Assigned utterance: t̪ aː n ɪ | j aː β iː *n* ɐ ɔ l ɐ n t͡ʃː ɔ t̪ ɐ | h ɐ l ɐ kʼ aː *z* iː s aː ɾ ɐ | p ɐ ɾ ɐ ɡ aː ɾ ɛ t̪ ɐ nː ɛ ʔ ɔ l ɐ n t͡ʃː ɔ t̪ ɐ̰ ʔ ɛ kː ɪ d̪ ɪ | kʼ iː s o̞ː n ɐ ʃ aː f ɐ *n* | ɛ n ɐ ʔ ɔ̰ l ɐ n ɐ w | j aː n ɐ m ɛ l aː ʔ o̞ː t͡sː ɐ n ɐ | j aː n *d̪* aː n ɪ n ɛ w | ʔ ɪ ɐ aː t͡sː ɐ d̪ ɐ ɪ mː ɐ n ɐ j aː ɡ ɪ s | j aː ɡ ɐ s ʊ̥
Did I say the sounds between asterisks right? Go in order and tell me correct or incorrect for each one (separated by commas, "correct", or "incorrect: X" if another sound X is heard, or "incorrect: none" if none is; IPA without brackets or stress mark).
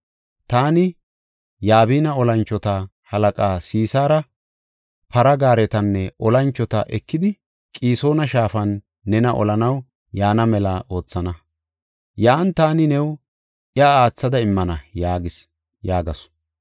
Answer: correct, incorrect: s, incorrect: nː, incorrect: t̪